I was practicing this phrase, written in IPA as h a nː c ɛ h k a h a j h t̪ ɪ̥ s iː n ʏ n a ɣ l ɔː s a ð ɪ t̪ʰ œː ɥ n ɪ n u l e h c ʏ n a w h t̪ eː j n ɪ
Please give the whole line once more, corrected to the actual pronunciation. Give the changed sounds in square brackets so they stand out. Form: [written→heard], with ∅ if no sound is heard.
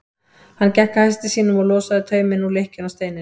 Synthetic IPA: h a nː c ɛ h k a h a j [h→s] t̪ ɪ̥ s iː n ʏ [n→m] a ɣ l ɔː s a ð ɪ t̪ʰ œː ɥ [n→m] ɪ n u l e h c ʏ n a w [h→s] t̪ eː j n ɪ